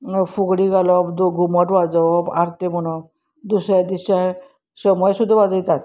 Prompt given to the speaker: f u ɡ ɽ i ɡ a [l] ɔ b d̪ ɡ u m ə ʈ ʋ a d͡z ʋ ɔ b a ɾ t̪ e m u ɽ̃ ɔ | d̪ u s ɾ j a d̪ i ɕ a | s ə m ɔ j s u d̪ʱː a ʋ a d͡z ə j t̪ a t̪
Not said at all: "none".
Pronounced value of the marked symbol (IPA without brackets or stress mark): l